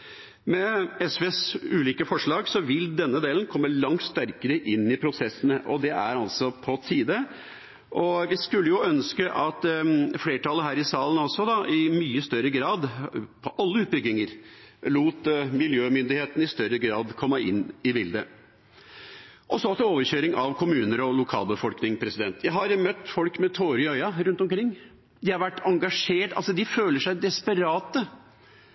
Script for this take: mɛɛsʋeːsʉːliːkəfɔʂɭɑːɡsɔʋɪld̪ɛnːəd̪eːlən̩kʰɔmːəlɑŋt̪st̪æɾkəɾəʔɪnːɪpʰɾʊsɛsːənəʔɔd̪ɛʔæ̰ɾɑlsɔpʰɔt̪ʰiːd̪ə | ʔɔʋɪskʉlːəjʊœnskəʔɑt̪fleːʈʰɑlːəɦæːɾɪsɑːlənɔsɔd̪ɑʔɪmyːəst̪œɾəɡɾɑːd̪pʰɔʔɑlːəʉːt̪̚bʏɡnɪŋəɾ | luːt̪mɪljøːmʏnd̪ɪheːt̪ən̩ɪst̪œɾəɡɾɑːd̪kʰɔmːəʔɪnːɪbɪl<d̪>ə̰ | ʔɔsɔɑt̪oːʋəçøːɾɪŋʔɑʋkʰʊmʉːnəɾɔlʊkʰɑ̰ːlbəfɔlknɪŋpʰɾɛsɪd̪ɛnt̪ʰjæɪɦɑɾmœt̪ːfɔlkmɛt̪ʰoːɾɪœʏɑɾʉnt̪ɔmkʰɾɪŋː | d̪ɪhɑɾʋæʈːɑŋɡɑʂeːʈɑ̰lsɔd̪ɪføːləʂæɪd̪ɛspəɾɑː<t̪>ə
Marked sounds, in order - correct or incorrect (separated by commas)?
correct, correct